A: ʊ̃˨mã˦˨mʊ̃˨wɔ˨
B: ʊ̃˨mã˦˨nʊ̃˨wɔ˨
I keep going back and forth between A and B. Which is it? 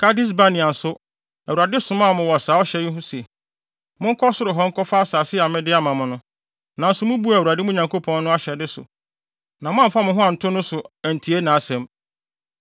A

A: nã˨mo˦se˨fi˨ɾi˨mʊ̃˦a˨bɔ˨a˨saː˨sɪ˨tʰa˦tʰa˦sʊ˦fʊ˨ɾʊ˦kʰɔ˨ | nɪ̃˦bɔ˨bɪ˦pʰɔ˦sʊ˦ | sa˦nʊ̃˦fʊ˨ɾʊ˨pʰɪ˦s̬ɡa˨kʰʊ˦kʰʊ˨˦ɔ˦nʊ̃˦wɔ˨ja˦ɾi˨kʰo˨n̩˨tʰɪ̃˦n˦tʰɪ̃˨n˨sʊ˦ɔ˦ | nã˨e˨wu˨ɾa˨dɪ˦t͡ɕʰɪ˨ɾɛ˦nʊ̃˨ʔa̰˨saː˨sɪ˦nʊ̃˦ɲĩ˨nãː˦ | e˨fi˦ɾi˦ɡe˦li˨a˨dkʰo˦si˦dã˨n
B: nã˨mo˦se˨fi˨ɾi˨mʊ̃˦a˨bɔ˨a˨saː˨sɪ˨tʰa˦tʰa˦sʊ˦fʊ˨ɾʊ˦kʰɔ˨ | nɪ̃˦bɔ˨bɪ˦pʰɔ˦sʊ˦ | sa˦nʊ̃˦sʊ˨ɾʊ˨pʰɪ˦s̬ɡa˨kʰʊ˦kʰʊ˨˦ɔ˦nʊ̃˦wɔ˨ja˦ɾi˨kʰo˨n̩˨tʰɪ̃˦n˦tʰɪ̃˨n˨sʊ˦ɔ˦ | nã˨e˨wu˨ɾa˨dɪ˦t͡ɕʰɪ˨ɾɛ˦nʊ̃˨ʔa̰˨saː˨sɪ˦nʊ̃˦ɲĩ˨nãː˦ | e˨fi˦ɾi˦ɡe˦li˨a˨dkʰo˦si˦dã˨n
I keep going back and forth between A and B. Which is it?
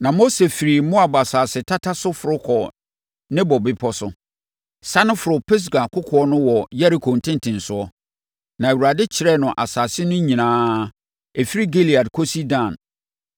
A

